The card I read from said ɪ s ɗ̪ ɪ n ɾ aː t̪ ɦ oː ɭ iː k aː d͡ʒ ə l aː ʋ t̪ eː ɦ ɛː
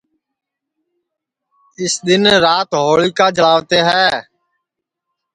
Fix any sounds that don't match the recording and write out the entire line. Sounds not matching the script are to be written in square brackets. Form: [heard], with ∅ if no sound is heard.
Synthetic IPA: ɪ s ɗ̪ ɪ n ɾ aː t̪ ɦ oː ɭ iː k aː d͡ʒ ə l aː ʋ t̪ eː ɦ ɛː